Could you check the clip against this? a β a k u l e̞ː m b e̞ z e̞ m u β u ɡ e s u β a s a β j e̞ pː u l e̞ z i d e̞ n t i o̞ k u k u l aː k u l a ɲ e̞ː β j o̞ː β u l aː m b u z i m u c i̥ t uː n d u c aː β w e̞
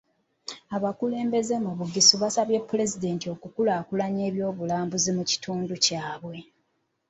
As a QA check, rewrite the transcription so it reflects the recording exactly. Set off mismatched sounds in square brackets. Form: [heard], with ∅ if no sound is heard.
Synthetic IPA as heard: a β a k u l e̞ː m b e̞ z e̞ m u β u ɡ [i] s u β a s a β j e̞ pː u l e̞ z i d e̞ n t i o̞ k u k u l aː k u l a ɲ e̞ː β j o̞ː β u l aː m b u z i m u c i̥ t uː n d u c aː β w e̞